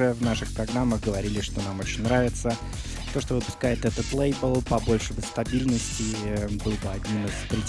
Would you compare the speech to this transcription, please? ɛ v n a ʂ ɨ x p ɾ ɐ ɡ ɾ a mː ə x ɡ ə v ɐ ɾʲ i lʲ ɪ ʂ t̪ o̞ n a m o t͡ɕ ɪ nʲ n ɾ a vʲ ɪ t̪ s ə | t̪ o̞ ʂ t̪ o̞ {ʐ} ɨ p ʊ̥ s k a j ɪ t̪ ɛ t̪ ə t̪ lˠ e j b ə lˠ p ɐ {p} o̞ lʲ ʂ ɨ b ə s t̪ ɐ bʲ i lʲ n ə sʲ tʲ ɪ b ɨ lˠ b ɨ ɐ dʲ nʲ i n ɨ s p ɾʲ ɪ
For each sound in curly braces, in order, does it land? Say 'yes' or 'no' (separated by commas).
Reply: no, no